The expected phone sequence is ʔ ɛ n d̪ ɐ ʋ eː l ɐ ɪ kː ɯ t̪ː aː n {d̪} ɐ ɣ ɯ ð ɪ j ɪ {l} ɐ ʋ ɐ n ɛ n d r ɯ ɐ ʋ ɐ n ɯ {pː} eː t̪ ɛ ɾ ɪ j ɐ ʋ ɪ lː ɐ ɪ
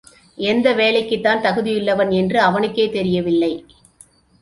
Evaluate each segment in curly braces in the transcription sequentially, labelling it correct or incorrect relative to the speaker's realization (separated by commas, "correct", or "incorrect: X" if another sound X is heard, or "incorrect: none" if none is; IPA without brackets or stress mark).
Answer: incorrect: t̪, incorrect: lː, incorrect: kː